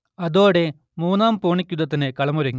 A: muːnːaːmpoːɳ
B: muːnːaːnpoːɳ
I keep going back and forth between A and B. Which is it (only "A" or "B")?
A